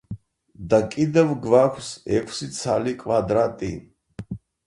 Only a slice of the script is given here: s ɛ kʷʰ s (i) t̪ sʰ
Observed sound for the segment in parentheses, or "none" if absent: i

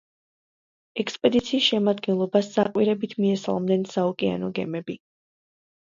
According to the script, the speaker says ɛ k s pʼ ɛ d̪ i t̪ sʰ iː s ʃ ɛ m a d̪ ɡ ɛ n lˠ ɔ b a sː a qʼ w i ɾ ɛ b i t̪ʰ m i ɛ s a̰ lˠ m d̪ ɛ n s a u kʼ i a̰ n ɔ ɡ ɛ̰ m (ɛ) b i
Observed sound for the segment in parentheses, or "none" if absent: ɛ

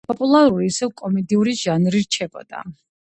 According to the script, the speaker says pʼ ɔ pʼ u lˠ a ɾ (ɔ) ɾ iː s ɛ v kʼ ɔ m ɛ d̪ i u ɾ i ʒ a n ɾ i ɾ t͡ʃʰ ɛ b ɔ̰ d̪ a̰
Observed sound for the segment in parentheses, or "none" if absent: u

